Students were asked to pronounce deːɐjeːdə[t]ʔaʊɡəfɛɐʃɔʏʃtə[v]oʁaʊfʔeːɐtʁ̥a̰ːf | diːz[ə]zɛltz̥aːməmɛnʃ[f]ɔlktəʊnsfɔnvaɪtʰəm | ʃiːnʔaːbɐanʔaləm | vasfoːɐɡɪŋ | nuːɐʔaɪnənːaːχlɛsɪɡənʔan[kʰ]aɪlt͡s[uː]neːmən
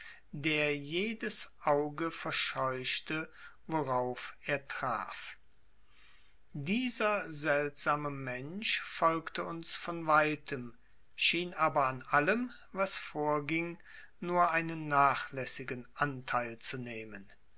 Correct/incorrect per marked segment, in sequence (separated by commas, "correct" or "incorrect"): incorrect, correct, incorrect, correct, incorrect, incorrect